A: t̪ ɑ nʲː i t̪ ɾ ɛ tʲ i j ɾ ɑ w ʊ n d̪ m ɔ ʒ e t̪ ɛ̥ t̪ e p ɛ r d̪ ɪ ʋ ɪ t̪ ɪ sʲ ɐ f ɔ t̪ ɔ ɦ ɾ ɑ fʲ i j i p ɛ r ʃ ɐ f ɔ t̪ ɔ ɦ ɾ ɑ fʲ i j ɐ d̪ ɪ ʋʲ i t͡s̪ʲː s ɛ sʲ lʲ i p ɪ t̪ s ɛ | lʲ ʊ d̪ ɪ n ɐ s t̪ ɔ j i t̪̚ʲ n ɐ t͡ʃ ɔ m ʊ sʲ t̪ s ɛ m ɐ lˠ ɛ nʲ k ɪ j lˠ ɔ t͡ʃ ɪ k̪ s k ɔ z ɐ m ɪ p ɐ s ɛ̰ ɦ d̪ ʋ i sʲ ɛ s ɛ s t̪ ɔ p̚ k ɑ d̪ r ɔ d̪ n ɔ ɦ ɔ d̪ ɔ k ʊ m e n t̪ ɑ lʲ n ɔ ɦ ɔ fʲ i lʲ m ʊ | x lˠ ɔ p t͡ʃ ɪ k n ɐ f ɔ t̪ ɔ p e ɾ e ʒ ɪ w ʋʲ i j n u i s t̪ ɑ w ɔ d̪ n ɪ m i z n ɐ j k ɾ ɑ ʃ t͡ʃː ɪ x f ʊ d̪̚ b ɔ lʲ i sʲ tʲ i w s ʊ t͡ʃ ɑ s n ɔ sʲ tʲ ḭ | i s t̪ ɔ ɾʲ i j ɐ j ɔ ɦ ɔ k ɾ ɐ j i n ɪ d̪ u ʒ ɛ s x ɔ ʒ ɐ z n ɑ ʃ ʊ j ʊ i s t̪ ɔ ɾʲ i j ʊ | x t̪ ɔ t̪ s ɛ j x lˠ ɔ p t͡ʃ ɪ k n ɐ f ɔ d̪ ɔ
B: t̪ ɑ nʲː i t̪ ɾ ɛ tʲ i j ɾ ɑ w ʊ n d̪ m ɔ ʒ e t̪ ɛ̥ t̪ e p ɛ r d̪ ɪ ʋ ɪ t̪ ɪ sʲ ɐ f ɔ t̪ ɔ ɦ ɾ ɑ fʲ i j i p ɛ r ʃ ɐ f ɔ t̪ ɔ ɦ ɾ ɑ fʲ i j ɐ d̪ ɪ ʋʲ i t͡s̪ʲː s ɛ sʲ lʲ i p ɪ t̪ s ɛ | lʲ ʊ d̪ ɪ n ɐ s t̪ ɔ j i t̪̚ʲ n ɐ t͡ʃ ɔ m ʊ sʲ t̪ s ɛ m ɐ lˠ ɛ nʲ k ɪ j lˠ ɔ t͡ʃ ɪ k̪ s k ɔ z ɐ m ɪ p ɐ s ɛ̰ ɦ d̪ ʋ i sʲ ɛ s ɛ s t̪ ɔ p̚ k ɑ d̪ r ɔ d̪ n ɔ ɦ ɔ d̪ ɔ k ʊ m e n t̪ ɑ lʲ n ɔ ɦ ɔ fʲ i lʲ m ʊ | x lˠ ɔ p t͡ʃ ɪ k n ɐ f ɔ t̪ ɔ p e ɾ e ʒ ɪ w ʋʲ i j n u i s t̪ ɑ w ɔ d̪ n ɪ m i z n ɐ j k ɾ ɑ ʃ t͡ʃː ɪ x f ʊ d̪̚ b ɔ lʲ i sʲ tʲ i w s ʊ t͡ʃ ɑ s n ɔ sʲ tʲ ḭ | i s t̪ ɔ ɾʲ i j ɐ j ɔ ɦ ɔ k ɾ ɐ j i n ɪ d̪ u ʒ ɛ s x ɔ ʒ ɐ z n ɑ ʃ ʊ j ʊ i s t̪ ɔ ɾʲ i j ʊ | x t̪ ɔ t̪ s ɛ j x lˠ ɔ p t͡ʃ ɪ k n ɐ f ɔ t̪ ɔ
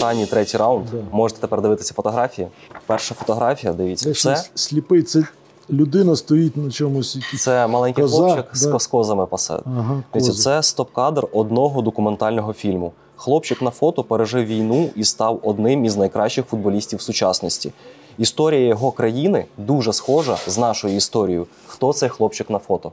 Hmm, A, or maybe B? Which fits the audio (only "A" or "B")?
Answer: B